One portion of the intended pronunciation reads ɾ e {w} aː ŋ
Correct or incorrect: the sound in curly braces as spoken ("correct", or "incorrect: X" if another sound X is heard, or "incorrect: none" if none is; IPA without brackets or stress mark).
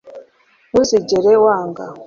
correct